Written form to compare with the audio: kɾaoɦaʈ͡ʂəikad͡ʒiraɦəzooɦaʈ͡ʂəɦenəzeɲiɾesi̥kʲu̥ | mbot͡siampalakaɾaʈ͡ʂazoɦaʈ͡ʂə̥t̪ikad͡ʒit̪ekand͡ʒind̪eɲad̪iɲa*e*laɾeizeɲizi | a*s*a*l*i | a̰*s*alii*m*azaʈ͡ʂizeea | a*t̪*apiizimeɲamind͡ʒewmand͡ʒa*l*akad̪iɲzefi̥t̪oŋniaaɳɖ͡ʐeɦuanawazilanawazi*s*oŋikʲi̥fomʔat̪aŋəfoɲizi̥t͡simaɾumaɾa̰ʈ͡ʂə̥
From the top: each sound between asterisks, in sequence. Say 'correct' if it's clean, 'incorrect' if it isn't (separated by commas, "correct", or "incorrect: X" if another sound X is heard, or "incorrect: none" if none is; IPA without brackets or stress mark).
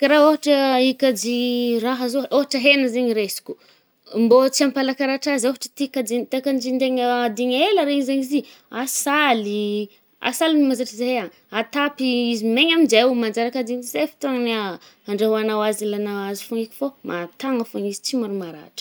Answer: correct, correct, correct, correct, correct, correct, incorrect: ɾ, incorrect: f